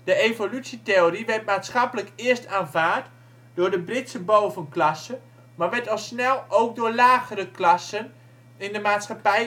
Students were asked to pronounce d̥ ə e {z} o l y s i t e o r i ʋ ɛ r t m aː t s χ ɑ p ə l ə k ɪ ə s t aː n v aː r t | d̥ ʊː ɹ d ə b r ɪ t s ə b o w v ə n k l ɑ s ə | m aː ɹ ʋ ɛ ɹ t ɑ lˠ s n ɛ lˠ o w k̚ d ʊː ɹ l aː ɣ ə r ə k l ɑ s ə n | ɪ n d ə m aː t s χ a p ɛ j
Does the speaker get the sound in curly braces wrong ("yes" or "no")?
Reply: yes